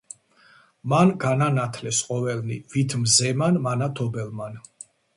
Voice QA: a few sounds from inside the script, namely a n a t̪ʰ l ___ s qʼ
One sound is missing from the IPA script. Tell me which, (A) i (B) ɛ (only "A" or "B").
B